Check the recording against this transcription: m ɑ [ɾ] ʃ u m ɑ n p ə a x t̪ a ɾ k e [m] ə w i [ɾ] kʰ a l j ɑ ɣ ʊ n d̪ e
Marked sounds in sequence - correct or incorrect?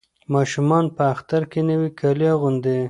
incorrect, incorrect, incorrect

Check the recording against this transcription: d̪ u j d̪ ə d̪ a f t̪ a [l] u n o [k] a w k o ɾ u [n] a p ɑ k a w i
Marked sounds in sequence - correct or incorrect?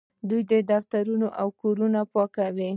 incorrect, incorrect, correct

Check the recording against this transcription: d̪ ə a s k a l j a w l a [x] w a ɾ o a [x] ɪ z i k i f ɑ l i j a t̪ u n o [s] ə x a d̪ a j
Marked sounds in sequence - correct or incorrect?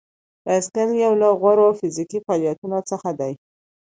incorrect, incorrect, incorrect

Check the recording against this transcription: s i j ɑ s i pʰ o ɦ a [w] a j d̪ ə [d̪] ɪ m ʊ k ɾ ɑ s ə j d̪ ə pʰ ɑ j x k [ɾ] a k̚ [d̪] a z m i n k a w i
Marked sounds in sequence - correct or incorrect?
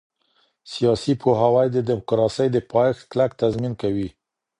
correct, correct, incorrect, incorrect

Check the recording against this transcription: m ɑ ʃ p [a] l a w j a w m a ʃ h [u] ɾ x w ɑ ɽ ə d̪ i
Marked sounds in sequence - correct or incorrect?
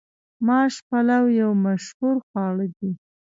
correct, correct

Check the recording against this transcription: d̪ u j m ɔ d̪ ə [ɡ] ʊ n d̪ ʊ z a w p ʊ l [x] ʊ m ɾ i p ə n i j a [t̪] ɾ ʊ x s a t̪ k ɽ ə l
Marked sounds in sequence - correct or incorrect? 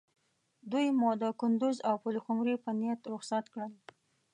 incorrect, correct, correct

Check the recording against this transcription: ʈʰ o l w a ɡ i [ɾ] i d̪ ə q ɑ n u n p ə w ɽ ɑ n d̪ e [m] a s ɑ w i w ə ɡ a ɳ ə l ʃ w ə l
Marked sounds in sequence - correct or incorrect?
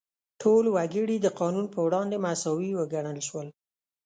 incorrect, correct

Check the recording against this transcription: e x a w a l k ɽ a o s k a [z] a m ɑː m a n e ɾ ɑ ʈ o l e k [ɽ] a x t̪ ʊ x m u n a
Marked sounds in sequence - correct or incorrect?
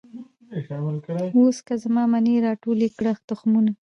correct, correct

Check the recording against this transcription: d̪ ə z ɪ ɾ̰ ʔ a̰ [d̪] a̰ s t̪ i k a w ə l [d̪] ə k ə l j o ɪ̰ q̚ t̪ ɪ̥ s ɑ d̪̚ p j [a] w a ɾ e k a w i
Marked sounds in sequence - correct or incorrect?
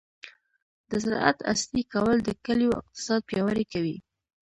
incorrect, correct, incorrect

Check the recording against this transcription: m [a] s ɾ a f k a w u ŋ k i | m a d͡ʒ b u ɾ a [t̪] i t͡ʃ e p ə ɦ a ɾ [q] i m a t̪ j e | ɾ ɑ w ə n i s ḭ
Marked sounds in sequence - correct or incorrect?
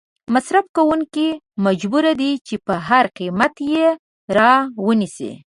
correct, incorrect, correct

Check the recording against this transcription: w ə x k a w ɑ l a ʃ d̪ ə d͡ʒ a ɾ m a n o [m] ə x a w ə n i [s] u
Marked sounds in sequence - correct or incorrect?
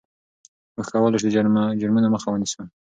correct, correct

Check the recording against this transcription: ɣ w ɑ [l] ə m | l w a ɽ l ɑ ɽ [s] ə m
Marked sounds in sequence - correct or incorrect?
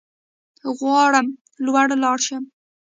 incorrect, incorrect

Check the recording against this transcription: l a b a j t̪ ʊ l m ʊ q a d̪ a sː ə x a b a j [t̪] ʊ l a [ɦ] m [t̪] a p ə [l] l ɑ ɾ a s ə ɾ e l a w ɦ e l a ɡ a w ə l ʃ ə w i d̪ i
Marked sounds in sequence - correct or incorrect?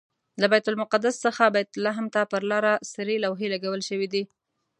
correct, correct, correct, incorrect

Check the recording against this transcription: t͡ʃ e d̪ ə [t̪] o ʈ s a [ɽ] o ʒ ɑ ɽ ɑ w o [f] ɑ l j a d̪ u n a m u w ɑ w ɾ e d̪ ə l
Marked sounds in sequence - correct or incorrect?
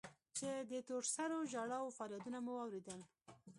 correct, incorrect, correct

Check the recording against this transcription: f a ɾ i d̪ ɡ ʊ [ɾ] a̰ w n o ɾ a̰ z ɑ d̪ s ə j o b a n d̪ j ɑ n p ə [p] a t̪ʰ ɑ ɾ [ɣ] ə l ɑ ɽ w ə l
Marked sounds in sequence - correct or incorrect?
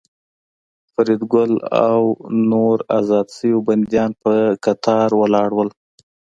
incorrect, incorrect, incorrect

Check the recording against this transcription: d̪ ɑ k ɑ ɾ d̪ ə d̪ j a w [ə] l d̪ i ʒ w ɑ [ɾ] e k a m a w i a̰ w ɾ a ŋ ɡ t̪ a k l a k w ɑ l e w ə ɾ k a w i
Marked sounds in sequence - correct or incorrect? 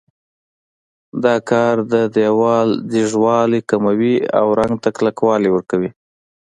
incorrect, incorrect

